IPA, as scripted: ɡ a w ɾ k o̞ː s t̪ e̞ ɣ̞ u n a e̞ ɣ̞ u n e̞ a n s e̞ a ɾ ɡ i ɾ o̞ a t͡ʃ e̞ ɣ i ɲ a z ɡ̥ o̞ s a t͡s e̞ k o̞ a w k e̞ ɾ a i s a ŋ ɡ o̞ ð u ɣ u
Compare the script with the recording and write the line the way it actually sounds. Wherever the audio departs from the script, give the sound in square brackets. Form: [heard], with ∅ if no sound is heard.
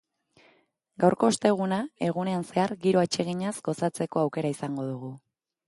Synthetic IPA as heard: ɡ a w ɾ k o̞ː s t̪ e̞ ɣ̞ u n a e̞ ɣ̞ u n e̞ a n s e̞ a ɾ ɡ i ɾ o̞ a t͡ʃ e̞ ɣ i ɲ a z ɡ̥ o̞ s a t͡s e̞ k o̞ a w k e̞ ɾ a i s a ŋ ɡ o̞ ð u ɣ u